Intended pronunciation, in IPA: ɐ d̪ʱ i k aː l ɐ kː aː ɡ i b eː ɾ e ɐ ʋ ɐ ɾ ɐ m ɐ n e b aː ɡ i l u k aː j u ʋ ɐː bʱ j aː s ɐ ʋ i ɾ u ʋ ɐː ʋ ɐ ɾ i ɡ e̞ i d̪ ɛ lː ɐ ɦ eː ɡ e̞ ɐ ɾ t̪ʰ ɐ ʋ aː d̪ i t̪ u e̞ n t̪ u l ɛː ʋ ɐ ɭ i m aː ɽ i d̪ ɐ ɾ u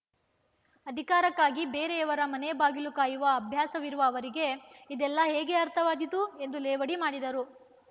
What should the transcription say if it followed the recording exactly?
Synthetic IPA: ɐ d̪ʱ i k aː ɾ ɐ kː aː ɡ i b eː ɾ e ɐ ʋ ɐ ɾ ɐ m ɐ n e b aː ɡ i l u k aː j u ʋ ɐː bʱ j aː s ɐ ʋ i ɾ u ʋ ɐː ʋ ɐ ɾ i ɡ e̞ i d̪ ɛ lː ɐ ɦ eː ɡ e̞ ɐ ɾ t̪ʰ ɐ ʋ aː d̪ i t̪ u e̞ n d̪ u l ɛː ʋ ɐ ɽ i m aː ɽ i d̪ ɐ ɾ u